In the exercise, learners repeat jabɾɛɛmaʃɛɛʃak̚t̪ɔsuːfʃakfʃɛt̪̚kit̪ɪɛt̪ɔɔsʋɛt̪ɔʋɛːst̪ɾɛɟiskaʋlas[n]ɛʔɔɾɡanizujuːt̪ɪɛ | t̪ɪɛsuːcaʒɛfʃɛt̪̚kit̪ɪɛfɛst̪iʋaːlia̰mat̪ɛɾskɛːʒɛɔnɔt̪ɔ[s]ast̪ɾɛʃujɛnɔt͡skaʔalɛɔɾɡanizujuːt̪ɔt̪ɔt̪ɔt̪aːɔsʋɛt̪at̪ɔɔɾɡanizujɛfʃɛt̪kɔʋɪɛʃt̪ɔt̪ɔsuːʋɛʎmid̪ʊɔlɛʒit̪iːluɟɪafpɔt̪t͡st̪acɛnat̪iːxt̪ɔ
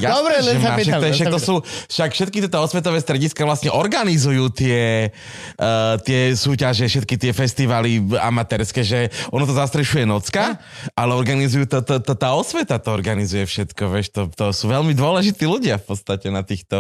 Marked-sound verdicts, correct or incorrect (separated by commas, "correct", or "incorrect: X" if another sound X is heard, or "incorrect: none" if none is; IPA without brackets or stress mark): incorrect: ɲ, incorrect: z